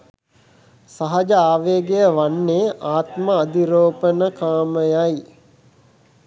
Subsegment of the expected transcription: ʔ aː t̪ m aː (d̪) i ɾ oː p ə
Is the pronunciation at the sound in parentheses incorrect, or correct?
correct